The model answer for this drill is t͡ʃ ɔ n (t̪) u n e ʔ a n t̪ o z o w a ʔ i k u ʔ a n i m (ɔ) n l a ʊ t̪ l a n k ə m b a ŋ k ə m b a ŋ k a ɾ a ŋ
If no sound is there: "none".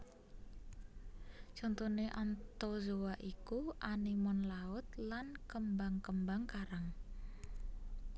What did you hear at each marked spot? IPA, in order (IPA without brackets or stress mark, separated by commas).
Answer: t̪, ɔ